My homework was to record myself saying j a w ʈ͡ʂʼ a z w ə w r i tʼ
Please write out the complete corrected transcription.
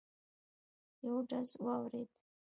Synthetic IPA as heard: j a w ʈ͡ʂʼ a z w a w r e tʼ